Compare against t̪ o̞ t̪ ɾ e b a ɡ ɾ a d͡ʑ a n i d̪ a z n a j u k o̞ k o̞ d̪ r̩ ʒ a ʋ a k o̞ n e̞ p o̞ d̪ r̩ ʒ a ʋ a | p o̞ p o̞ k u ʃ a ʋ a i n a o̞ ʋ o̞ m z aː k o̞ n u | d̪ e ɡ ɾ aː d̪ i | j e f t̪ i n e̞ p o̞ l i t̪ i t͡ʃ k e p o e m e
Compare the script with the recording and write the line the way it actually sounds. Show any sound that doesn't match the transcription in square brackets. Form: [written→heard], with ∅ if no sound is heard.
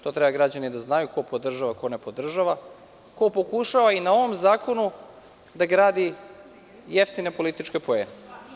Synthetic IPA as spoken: t̪ o̞ t̪ ɾ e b a ɡ ɾ a d͡ʑ a n i d̪ a z n a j u k o̞ [k→p] o̞ d̪ r̩ ʒ a ʋ a k o̞ n e̞ p o̞ d̪ r̩ ʒ a ʋ a | [p→k] o̞ p o̞ k u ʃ a ʋ a i n a o̞ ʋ o̞ m z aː k o̞ n u | d̪ [e→a] ɡ ɾ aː d̪ i | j e f t̪ i n e̞ p o̞ l i t̪ i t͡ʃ k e p o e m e